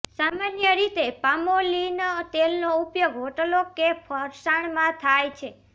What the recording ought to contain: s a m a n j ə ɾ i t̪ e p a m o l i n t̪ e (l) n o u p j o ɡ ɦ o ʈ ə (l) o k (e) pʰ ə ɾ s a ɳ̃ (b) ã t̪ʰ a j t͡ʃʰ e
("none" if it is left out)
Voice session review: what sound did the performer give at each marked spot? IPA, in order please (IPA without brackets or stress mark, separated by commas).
l, l, e, m